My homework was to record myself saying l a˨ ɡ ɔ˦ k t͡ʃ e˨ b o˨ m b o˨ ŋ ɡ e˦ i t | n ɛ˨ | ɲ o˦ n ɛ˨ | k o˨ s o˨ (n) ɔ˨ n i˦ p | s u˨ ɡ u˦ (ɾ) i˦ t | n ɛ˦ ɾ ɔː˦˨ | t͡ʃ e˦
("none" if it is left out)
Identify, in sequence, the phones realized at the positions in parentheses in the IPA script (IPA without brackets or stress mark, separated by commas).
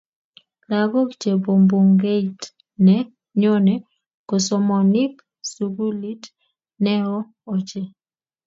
m, l